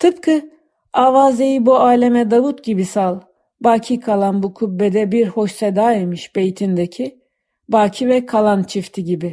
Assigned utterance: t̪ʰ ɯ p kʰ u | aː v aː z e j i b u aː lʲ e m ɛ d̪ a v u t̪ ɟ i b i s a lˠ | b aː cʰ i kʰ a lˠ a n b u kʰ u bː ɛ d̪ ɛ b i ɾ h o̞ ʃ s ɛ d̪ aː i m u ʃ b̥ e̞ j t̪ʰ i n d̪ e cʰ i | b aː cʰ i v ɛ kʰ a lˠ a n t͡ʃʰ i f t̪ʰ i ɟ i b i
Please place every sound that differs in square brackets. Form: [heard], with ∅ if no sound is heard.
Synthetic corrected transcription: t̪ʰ ɯ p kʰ [ɯ] | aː v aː z e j i b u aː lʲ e m ɛ d̪ a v u t̪ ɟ i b i s a lˠ | b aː cʰ i kʰ a lˠ a n b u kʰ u bː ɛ d̪ ɛ b i ɾ h o̞ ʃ s ɛ d̪ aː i m [ɯ] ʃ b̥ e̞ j t̪ʰ i n d̪ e cʰ i | b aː cʰ i v ɛ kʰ a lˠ a n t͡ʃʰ i f t̪ʰ i ɟ i b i